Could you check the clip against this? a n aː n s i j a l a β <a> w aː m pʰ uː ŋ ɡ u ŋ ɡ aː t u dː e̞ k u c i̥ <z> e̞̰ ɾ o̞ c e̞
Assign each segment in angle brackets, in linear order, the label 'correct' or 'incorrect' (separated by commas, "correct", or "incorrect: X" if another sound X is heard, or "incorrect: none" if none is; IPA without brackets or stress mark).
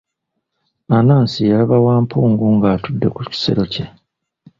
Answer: correct, incorrect: s